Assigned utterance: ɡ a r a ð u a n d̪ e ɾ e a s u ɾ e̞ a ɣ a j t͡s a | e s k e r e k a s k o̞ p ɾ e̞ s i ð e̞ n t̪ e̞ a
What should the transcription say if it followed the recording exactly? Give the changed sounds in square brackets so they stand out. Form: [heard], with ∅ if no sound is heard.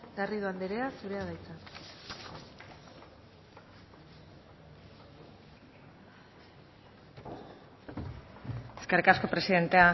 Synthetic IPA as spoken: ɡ a r [i] ð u a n d̪ e ɾ e a s u ɾ e̞ a [ð] a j t͡s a | e s k e r [i] k a s k o̞ p ɾ e̞ s i ð e̞ n t̪ e̞ a